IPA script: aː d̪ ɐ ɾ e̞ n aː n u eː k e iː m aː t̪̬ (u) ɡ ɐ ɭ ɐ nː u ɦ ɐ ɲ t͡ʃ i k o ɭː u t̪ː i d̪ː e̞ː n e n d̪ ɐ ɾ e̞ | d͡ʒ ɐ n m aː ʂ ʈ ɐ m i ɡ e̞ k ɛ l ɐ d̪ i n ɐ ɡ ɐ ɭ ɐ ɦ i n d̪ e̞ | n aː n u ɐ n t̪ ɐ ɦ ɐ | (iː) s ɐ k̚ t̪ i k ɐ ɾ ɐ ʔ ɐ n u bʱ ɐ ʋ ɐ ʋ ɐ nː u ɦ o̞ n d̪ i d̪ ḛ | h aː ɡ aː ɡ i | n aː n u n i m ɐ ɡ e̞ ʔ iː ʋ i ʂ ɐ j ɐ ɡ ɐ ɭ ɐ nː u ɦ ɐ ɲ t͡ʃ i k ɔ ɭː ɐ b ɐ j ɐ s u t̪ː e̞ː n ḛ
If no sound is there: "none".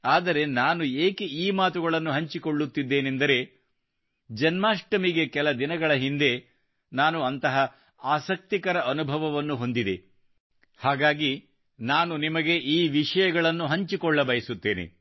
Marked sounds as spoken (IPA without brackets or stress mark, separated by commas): u, aː